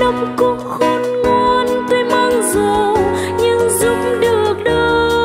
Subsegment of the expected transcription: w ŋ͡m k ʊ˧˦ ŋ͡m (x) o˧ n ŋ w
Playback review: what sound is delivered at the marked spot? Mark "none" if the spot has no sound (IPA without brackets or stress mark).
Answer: x